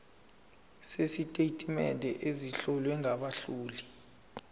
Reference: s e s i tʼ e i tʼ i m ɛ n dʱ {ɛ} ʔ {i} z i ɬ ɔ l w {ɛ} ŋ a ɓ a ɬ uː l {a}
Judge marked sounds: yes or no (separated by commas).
yes, no, yes, no